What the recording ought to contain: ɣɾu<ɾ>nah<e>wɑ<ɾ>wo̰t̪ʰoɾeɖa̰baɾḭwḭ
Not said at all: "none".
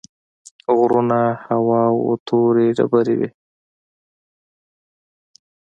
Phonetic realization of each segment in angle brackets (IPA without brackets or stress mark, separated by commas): none, a, none